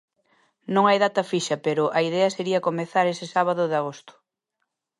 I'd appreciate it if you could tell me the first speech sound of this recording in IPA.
n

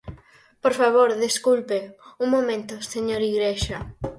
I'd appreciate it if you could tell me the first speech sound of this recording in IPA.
p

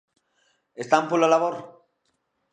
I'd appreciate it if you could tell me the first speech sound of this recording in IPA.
e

